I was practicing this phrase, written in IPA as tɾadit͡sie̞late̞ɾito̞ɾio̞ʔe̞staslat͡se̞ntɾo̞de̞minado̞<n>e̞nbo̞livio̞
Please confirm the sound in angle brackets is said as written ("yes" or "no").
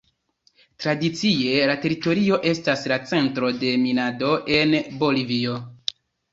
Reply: no